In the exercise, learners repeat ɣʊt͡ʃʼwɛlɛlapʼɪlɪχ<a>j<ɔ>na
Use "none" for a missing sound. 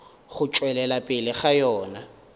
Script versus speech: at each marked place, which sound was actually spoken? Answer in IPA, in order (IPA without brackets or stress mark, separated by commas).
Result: a, ɔː